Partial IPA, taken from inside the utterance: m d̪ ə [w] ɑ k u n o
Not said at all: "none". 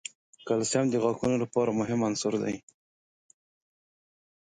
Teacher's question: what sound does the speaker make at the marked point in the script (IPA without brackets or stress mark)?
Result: ɣ